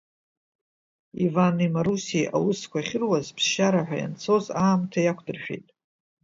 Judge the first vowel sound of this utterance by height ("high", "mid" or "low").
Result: high